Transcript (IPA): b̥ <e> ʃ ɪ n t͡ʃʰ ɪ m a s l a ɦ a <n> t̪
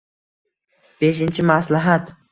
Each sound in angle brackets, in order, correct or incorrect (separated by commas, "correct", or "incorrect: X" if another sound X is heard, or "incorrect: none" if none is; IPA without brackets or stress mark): correct, incorrect: none